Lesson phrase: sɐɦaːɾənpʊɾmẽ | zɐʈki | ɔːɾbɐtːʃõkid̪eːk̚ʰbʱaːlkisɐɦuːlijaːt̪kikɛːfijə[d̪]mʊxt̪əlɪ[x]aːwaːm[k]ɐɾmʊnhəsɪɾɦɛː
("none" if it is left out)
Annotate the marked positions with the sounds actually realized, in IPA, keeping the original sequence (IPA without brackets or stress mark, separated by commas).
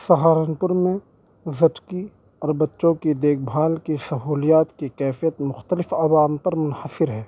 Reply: t̪, f, p